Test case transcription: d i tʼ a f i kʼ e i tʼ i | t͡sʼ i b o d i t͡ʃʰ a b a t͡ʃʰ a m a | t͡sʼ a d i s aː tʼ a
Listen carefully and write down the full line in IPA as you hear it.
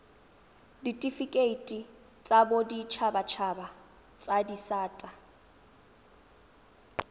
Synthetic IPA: d i tʼ i f i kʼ e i tʼ i | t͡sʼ a b o d i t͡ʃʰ a b a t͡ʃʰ a b a | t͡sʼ a d i s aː tʼ a